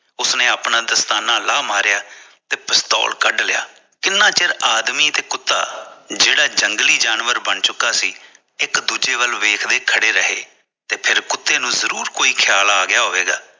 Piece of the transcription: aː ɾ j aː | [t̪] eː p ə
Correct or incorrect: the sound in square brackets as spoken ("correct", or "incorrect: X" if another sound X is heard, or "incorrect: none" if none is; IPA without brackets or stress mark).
correct